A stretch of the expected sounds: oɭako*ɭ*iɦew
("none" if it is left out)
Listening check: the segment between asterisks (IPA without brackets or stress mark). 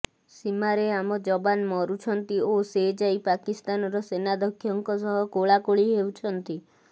ɭ